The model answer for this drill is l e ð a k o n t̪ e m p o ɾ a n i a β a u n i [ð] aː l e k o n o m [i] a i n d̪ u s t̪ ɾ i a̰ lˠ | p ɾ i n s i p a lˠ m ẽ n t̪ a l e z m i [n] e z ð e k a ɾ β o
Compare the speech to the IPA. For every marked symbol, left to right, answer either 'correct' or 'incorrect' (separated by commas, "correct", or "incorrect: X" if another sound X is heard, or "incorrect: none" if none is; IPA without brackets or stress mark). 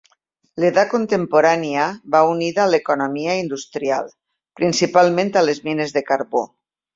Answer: correct, correct, correct